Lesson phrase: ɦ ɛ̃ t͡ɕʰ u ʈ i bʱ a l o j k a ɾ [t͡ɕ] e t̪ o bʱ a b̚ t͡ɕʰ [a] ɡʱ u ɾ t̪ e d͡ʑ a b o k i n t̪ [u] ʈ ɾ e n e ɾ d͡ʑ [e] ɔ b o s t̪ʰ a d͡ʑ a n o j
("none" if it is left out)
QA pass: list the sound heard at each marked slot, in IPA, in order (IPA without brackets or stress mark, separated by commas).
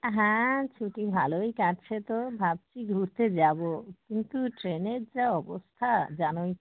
t͡ɕʰ, i, u, a